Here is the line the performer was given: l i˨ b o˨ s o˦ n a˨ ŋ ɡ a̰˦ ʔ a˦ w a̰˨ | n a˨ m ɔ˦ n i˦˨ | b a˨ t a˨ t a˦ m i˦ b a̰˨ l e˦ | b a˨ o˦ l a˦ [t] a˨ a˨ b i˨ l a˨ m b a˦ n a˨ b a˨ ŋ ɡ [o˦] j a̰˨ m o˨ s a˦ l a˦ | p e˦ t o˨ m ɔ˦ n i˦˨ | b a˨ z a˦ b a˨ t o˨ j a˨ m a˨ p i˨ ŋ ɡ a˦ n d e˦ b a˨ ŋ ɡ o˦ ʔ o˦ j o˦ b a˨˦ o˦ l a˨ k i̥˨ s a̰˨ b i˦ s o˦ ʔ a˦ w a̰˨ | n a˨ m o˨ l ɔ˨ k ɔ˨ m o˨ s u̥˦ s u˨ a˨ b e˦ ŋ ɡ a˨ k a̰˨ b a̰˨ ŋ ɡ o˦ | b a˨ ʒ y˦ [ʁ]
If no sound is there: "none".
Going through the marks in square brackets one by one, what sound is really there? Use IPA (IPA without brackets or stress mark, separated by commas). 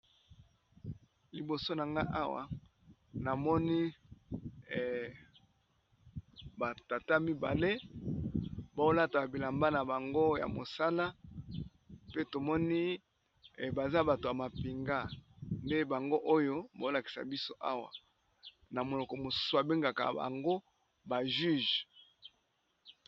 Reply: t, o˦, ʒ